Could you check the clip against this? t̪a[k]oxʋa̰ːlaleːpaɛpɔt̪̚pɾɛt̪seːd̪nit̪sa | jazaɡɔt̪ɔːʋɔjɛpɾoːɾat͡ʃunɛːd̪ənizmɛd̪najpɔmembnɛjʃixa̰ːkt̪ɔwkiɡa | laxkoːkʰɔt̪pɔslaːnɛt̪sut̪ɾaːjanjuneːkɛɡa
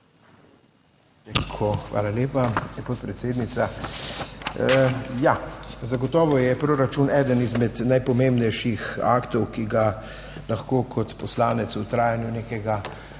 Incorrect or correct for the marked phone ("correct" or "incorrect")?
incorrect